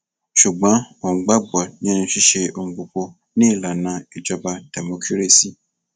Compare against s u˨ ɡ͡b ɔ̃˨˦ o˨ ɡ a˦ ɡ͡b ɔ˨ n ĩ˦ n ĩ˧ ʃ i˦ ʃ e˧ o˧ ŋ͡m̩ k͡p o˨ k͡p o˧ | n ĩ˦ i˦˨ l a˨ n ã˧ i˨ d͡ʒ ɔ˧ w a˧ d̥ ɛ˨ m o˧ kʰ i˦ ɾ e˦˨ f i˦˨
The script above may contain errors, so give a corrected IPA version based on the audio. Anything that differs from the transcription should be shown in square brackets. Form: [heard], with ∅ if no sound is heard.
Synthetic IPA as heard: [ʃ] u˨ ɡ͡b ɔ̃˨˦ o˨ [ɡ͡b] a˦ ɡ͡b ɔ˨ n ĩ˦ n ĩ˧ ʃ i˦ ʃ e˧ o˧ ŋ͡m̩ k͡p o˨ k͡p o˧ | n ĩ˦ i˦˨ l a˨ n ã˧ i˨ d͡ʒ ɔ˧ [b] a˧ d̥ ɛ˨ m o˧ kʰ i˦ ɾ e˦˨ [s] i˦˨